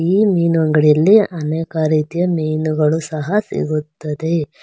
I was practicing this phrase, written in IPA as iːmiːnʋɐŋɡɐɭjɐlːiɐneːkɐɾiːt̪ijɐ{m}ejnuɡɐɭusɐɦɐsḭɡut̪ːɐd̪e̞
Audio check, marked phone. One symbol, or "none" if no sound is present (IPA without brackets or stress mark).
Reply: m